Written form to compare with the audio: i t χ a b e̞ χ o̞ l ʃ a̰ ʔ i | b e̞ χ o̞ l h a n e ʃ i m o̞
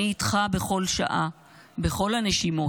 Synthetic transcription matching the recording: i t χ a b e̞ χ o̞ l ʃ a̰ ʔ a | b e̞ χ o̞ l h a n e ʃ i m o̞